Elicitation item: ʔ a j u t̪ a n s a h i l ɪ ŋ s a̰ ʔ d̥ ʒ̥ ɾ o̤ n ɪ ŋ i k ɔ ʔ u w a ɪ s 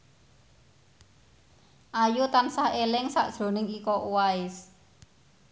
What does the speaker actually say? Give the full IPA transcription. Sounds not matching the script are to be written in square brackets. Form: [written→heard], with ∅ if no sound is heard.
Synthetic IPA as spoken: ʔ a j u t̪ a n s a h [i→e] l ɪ ŋ s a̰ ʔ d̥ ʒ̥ ɾ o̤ n ɪ ŋ i k ɔ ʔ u w a ɪ s